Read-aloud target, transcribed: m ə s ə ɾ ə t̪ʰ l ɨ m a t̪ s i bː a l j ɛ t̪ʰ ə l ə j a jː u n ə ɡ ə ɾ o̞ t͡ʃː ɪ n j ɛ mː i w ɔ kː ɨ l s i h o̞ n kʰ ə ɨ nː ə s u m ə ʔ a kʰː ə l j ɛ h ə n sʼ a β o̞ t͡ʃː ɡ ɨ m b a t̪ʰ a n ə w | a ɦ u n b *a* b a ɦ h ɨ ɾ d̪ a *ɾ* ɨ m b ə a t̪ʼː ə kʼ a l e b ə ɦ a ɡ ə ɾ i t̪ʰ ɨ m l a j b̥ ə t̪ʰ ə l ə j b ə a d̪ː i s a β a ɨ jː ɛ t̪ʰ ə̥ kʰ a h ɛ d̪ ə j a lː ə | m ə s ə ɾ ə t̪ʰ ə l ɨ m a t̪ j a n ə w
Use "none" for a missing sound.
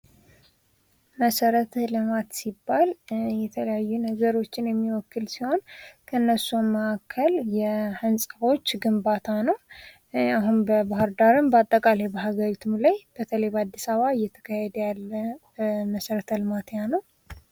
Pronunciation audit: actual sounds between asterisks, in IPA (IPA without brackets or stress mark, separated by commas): ə, ɾ